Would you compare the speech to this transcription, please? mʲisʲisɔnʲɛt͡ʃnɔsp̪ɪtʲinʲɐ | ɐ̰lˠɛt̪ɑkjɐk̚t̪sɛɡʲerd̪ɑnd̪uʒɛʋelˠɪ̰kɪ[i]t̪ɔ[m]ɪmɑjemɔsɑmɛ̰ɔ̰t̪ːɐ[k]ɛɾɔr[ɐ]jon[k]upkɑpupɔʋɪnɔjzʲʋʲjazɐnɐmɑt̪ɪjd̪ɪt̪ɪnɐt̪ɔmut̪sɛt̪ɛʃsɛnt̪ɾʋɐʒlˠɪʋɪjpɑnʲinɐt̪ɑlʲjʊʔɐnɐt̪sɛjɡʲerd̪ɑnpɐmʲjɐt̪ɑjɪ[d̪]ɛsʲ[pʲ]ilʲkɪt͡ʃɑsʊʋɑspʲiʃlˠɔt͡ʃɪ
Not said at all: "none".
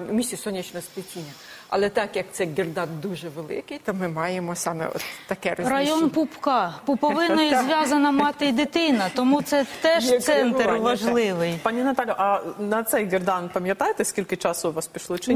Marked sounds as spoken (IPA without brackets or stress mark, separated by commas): j, m, k, ɐ, p, t̪, kʲ